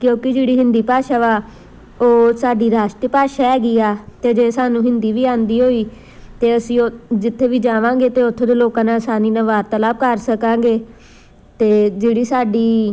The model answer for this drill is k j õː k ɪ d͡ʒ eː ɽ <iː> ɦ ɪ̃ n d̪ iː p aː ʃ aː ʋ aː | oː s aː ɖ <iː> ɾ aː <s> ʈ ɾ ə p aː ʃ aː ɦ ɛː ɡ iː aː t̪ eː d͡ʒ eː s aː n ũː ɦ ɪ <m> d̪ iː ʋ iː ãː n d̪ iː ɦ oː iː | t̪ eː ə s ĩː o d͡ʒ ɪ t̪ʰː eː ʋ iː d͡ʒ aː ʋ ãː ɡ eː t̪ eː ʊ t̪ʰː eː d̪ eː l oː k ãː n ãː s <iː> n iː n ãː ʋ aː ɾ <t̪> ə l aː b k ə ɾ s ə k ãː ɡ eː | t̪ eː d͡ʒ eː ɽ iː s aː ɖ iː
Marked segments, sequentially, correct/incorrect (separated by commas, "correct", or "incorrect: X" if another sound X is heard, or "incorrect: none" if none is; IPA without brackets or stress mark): correct, correct, incorrect: ʃ, incorrect: n, incorrect: aː, correct